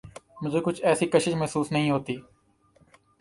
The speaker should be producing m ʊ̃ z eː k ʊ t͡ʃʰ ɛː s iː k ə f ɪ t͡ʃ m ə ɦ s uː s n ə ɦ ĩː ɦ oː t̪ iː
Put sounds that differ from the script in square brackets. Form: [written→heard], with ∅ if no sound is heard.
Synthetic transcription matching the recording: m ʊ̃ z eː k ʊ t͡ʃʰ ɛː s iː k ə [f→ʃ] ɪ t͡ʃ m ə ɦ s uː s n ə ɦ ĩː ɦ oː t̪ iː